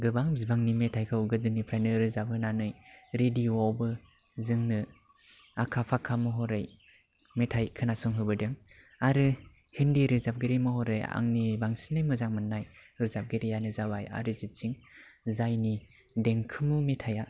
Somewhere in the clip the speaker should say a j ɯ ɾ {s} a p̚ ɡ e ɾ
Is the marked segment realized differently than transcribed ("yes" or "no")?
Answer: yes